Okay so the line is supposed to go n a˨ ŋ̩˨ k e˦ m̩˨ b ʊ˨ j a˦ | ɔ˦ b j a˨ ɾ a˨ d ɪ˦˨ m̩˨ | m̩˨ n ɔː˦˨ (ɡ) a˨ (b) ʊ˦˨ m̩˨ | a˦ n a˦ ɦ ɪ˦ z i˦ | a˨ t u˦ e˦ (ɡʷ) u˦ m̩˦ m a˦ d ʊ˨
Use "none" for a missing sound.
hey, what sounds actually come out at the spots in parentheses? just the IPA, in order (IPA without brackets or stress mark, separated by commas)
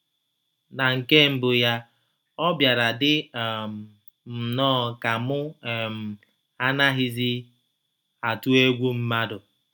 k, m, ɡʷ